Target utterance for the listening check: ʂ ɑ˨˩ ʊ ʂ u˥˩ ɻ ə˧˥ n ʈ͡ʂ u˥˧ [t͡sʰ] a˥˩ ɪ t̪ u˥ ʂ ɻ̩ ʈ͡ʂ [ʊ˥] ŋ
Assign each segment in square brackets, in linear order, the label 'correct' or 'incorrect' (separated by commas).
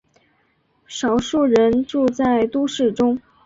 incorrect, correct